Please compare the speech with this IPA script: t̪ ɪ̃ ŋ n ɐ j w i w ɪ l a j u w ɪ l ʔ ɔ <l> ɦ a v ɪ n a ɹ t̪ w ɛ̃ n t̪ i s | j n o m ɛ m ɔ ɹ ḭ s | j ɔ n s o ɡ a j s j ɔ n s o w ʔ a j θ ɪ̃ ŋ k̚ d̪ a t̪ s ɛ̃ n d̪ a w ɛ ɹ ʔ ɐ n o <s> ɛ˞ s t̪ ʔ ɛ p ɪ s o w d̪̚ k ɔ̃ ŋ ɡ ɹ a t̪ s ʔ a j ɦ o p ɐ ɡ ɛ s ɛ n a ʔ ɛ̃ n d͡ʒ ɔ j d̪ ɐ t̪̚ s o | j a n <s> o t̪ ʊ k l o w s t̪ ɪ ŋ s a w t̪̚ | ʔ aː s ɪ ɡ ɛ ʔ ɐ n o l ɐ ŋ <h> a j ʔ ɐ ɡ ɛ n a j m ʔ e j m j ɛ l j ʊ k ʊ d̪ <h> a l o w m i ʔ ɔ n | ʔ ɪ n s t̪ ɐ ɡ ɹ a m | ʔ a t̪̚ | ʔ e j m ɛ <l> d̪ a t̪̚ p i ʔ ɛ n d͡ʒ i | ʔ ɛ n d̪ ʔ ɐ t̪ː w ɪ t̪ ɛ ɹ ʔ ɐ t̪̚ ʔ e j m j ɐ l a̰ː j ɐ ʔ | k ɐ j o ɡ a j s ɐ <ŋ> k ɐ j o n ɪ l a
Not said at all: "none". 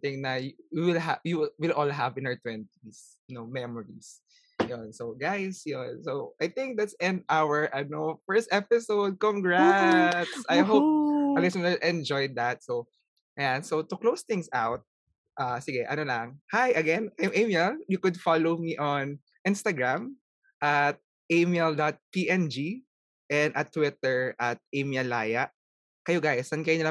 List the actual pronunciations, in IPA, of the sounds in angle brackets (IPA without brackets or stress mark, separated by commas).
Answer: l, f, s, h, f, l, n